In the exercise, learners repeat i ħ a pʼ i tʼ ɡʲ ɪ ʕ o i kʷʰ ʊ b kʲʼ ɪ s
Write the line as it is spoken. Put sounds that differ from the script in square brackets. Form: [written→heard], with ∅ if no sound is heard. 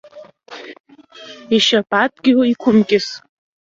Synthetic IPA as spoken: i [ħ→ʃ] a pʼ [i→a] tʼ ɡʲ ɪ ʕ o i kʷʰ ʊ [b→m] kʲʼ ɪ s